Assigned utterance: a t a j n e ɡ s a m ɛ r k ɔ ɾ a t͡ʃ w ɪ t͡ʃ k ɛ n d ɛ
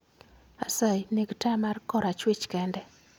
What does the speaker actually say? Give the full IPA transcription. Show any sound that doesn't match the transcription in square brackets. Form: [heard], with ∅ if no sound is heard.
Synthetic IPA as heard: a [s] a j n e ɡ [t] a m [a] r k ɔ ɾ a t͡ʃ w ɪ t͡ʃ k ɛ n d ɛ